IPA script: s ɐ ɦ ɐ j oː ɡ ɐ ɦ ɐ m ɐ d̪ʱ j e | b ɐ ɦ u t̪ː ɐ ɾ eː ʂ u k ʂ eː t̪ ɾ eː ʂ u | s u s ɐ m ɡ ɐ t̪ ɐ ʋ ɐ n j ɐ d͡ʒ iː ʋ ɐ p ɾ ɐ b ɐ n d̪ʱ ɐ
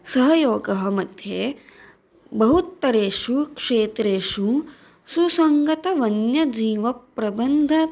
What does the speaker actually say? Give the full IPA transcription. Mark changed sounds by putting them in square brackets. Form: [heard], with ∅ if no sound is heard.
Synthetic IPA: s ɐ ɦ ɐ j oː ɡ ɐ ɦ ɐ m ɐ d̪ʱ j e | b ɐ ɦ u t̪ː ɐ ɾ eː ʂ u k ʂ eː t̪ ɾ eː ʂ u | s u s ɐ [ŋ] ɡ ɐ t̪ ɐ ʋ ɐ n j ɐ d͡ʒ iː ʋ ɐ p ɾ ɐ b ɐ n d̪ʱ ɐ